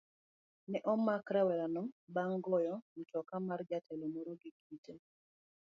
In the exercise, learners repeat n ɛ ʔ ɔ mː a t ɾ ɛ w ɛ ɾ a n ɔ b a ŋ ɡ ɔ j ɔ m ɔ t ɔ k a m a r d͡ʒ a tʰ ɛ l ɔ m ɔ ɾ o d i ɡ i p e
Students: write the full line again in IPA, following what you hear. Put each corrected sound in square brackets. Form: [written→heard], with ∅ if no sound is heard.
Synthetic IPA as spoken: n ɛ ʔ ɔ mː a [t→k] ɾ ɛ w ɛ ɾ a n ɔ b a ŋ ɡ ɔ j ɔ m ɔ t ɔ k a m a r d͡ʒ a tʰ ɛ l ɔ m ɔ ɾ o [d→ɡ] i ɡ i [p→t] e